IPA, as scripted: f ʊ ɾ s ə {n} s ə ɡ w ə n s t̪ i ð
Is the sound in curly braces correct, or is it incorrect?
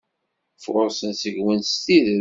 correct